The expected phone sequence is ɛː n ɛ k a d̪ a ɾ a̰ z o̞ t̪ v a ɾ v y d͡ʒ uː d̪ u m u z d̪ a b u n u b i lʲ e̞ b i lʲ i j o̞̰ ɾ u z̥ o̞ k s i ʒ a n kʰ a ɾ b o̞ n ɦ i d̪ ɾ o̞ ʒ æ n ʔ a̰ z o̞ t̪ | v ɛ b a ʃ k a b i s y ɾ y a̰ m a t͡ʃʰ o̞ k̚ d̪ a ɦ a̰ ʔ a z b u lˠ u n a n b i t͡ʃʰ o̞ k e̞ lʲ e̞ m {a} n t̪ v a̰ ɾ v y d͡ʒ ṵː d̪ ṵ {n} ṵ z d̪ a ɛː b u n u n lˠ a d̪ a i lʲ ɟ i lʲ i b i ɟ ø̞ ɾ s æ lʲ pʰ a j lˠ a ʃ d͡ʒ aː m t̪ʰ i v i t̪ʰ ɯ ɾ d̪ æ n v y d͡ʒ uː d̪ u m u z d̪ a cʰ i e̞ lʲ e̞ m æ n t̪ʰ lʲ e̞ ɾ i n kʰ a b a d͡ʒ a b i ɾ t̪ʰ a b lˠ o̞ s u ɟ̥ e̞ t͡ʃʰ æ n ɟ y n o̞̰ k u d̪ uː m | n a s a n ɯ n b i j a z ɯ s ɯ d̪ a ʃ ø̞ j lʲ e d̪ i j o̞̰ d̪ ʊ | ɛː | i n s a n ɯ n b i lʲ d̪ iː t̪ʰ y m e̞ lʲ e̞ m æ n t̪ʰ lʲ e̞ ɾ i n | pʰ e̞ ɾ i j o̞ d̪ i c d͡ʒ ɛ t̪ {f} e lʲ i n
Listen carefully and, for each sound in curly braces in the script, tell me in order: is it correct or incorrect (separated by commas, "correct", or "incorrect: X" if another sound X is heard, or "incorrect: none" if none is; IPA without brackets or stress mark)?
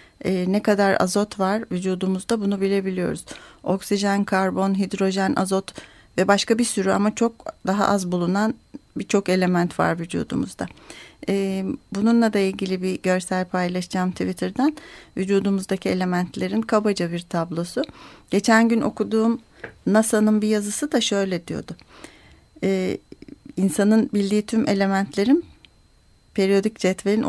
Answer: incorrect: æ, incorrect: m, incorrect: v